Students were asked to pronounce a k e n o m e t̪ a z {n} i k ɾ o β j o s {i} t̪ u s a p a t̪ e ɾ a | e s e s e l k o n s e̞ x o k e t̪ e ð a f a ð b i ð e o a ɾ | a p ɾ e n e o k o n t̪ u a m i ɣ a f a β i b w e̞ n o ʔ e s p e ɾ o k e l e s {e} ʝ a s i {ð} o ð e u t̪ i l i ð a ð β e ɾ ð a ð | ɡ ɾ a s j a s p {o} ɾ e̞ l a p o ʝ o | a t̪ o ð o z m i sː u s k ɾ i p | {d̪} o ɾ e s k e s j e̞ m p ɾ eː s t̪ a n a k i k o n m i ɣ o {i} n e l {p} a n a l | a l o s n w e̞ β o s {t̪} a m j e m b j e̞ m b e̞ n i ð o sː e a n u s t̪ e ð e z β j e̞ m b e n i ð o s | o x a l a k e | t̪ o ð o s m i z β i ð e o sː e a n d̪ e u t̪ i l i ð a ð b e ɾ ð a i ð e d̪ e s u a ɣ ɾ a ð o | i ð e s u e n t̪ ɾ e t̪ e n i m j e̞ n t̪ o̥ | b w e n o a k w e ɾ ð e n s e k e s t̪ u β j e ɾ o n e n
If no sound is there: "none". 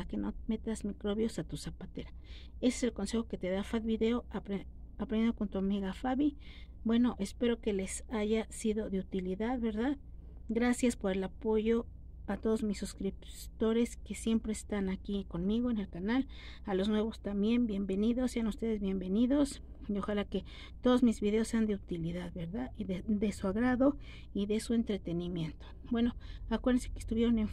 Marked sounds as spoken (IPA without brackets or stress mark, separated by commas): m, a, a, ð, o, t̪, e, k, t̪